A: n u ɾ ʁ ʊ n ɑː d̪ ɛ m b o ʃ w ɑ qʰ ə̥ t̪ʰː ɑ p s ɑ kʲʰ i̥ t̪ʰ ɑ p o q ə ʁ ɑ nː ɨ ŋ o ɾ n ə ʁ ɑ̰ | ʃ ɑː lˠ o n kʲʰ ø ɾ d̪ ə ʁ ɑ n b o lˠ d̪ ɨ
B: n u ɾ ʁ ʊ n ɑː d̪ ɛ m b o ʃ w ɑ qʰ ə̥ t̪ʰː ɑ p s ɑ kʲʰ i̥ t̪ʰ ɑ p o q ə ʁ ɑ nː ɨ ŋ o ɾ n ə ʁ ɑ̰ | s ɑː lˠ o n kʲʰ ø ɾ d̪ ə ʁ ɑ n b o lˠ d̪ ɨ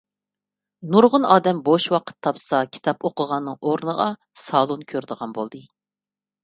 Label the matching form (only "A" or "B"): B